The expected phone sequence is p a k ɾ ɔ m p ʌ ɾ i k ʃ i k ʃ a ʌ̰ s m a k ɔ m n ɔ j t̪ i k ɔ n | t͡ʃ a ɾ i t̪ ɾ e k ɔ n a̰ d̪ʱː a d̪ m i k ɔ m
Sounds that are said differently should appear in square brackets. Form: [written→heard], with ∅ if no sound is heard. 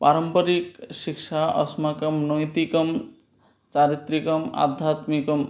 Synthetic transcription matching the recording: p a [k→∅] ɾ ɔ m p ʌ ɾ i k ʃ i k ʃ a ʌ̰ s m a k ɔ m n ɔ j t̪ i k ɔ [n→m] | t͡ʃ a ɾ i t̪ ɾ [e→i] k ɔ [n→m] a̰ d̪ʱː a [d̪→t̪] m i k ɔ m